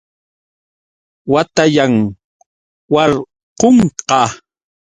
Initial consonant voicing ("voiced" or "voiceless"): voiced